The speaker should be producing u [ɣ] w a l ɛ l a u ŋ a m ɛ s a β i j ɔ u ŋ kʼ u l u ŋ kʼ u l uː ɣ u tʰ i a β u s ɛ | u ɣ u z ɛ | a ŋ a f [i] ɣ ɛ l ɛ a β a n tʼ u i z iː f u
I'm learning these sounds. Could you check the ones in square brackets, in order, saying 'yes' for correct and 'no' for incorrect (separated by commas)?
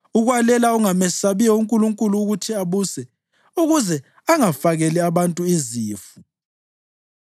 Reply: yes, no